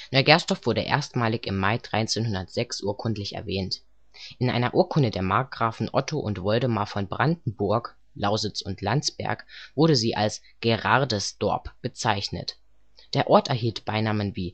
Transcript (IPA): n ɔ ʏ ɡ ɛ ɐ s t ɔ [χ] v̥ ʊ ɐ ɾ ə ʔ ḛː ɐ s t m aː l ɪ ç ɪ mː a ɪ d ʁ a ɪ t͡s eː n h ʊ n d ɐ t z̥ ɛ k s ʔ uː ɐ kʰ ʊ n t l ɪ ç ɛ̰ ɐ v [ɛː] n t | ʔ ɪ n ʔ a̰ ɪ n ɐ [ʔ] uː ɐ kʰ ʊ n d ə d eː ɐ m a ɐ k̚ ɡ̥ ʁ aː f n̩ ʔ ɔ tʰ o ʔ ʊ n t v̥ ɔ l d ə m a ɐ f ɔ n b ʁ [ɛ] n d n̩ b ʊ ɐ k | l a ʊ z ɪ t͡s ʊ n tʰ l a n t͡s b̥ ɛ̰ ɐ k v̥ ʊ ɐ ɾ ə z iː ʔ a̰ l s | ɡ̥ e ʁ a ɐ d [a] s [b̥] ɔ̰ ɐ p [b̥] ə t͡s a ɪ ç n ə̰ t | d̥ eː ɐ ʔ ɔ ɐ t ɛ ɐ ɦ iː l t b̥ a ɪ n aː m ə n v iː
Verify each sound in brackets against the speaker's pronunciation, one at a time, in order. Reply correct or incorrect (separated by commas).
incorrect, correct, correct, incorrect, incorrect, incorrect, correct